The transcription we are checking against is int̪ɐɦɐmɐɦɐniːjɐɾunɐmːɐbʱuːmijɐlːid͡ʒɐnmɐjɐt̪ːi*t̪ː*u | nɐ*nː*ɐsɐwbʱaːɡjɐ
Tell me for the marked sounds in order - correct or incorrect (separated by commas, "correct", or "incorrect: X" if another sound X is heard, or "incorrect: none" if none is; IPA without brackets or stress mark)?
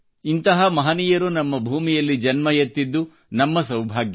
incorrect: d̪ː, incorrect: mː